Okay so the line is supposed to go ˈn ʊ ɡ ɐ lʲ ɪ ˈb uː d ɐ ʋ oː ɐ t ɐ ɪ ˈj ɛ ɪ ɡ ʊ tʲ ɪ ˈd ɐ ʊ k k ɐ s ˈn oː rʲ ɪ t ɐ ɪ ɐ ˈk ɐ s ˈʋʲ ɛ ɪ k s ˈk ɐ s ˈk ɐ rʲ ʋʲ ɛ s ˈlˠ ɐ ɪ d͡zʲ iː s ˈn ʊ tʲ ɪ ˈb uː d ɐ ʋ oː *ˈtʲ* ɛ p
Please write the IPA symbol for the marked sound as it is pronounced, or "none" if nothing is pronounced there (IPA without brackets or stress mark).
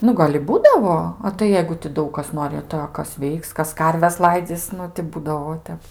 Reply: tʲ